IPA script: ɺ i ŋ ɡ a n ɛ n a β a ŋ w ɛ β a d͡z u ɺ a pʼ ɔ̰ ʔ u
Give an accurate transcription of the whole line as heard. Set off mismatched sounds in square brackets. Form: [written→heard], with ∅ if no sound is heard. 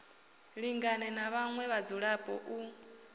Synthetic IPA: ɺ i ŋ ɡ a n ɛ n a β a ŋ w ɛ β a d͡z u ɺ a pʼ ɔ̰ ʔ u